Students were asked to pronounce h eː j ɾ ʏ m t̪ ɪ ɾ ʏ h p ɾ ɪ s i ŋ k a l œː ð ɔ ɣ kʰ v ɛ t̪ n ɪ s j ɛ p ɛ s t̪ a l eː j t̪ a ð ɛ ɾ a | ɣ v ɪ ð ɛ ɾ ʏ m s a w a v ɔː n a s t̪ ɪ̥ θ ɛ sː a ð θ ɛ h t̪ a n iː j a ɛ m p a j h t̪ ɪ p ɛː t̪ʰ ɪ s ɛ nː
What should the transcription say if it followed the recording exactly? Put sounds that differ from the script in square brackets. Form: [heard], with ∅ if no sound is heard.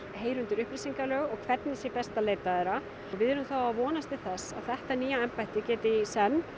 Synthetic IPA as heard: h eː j ɾ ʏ [n] t̪ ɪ ɾ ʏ h p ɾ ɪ s i ŋ k a l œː [ɣ] ɔ ɣ kʰ v ɛ t̪ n ɪ s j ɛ p ɛ s t̪ a l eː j t̪ a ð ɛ ɾ a | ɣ v ɪ ð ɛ ɾ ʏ m [θ] a w a v ɔː n a s t̪ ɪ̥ θ ɛ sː a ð θ ɛ h t̪ a n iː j a ɛ m p a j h t̪ ɪ [c] ɛː [t̪] ɪ s ɛ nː

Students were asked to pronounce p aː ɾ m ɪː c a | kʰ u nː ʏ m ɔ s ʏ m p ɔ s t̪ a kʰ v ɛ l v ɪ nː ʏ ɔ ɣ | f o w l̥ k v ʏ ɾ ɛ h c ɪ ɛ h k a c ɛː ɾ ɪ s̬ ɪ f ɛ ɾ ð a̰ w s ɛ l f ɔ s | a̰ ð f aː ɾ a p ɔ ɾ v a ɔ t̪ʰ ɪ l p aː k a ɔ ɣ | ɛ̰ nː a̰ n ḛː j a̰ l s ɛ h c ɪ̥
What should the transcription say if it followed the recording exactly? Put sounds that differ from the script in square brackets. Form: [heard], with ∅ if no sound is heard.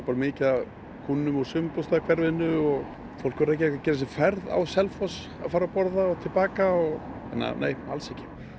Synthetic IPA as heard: p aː ɾ m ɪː c a | kʰ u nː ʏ m ɔ s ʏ m p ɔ s t̪ a kʰ v ɛ [ɾ] v ɪ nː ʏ ɔ ɣ | f o w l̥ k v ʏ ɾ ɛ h c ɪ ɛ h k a c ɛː ɾ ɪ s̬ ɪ f ɛ ɾ ð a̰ w s ɛ l f ɔ s | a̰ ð f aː ɾ a p ɔ ɾ [ð] a ɔ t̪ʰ ɪ l p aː k a ɔ ɣ | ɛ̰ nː a̰ n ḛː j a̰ l s ɛ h c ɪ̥

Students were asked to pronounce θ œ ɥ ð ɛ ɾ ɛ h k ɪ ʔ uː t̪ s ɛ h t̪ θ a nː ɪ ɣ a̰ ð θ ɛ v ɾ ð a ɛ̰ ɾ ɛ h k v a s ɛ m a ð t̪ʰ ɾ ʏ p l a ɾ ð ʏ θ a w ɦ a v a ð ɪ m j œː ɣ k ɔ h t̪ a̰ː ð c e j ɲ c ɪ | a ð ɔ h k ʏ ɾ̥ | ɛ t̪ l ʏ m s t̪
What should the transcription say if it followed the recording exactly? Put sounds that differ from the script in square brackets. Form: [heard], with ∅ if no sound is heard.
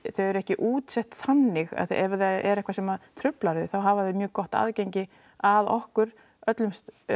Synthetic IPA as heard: θ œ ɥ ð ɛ ɾ ɛ h [c] ɪ ʔ uː t̪ s ɛ h t̪ θ a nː ɪ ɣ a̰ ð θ ɛ v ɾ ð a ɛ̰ ɾ ɛ h k v a s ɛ m a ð t̪ʰ ɾ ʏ p l a ɾ ð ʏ θ a w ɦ a v a ð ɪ m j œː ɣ k ɔ h t̪ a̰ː ð c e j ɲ c ɪ | a ð ɔ h k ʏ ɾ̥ | [œ] t̪ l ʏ m s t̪

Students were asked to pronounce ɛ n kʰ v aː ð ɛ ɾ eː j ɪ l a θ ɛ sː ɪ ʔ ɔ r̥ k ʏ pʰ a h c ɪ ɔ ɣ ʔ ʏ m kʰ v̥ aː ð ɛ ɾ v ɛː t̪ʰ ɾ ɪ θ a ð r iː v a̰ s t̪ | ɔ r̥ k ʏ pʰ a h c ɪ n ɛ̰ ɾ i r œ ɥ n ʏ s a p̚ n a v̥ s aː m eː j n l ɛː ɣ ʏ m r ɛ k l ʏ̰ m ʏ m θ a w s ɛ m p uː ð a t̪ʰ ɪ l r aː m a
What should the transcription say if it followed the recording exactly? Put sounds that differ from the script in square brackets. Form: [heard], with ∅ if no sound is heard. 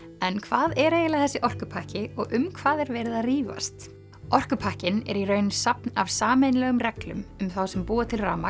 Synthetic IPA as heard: ɛ n kʰ v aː ð ɛ ɾ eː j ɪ l a θ ɛ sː ɪ ʔ ɔ r̥ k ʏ pʰ a h c ɪ ɔ ɣ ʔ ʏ m kʰ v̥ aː ð ɛ ɾ v ɛː [∅] ɾ ɪ [ð] a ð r iː v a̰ s t̪ | ɔ r̥ k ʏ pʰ a h c ɪ n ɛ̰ ɾ i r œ ɥ n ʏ s a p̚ n a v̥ s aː m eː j n l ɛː ɣ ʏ m r ɛ k l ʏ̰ m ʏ m θ a w s ɛ m p uː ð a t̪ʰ ɪ l r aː m a

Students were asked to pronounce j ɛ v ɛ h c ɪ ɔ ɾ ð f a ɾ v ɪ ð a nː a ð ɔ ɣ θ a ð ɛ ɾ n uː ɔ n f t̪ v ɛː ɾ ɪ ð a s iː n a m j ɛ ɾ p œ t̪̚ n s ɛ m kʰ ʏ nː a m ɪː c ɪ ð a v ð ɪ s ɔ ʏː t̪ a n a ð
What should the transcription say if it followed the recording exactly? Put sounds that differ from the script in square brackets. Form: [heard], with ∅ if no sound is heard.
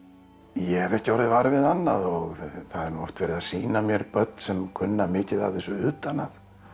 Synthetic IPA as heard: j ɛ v ɛ h c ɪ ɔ ɾ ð [v] a ɾ v ɪ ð a nː a ð ɔ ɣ θ a ð ɛ ɾ n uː ɔ [∅] f t̪ v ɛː ɾ ɪ ð a s iː n a m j ɛ ɾ p œ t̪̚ n s ɛ m kʰ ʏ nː a m ɪː c ɪ ð a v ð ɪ s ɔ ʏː t̪ a n a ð

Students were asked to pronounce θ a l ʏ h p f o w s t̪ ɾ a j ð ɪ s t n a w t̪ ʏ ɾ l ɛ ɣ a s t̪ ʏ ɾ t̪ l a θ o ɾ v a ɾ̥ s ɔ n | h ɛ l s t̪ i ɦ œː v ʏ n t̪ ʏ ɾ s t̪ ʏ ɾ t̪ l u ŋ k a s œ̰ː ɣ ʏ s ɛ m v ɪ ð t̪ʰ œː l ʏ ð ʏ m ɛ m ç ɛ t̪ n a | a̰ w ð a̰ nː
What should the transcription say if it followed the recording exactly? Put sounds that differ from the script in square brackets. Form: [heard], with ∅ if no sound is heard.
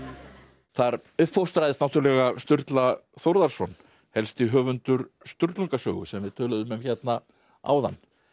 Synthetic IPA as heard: θ a [ɾ] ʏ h p f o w s t̪ ɾ a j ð ɪ s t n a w t̪ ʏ ɾ l ɛ ɣ a s t̪ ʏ ɾ t̪ l a θ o ɾ [ð] a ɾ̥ s ɔ n | h ɛ l s t̪ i ɦ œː v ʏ n t̪ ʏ ɾ s t̪ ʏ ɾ t̪ l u ŋ k a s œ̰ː ɣ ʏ s ɛ m v ɪ ð t̪ʰ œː l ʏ ð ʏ m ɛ m ç ɛ t̪ n a | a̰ w ð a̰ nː

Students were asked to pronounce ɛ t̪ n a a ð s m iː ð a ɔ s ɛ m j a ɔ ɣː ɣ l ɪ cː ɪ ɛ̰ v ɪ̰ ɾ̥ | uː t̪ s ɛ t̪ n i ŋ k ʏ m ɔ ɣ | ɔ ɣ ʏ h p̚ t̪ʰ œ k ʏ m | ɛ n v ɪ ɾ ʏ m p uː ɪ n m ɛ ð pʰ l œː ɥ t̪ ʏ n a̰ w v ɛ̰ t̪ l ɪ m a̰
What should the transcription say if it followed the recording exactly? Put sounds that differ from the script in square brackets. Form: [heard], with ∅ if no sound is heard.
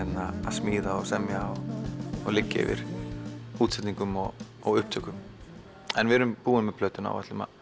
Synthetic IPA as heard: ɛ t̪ n a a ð s m iː ð a ɔ s ɛ m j a ɔ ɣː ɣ l ɪ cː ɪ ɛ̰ v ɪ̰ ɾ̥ | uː t̪ s ɛ t̪ n i ŋ k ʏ m ɔ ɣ | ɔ ɣ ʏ h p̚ t̪ʰ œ k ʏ m | ɛ n v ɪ ɾ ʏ m p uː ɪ n m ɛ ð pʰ l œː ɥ t̪ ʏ n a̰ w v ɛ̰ t̪ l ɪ m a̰

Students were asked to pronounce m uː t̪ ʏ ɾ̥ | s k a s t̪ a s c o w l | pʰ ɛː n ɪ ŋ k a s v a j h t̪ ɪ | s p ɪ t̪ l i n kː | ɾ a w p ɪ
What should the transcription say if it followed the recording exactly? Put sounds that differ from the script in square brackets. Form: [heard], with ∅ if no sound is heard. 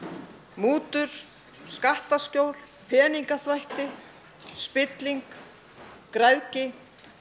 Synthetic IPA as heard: m uː t̪ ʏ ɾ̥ | s k a [h] t̪ a s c o w l | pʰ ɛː n [i] ŋ k a [θ] v a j h t̪ ɪ | s p ɪ t̪ l i [ŋ] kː | ɾ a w [c] ɪ

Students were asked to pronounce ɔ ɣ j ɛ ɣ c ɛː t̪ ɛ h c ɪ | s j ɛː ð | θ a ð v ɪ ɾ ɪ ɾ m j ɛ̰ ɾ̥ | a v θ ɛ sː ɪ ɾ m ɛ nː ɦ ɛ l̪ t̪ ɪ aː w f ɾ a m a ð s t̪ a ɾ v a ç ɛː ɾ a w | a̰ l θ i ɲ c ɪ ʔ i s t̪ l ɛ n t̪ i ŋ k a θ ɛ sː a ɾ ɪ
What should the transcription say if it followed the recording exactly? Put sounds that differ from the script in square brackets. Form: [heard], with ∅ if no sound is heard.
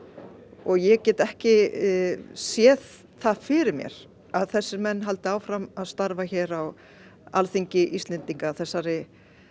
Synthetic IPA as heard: ɔ ɣ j ɛ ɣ c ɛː t̪ ɛ h c ɪ | s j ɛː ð | θ a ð [f] ɪ ɾ ɪ ɾ m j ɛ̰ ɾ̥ | a [ð] θ ɛ sː ɪ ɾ m ɛ nː ɦ [a] l̪ t̪ ɪ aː w f ɾ a m a ð s t̪ a ɾ v a ç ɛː ɾ a w | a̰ l θ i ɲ c ɪ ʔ i s t̪ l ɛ n t̪ i ŋ k a θ ɛ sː a ɾ ɪ

